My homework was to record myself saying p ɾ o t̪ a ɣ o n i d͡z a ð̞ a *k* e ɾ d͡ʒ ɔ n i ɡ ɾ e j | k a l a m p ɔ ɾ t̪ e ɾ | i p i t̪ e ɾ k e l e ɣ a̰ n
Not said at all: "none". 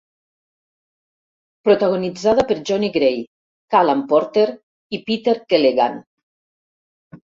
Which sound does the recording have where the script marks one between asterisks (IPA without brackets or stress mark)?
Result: p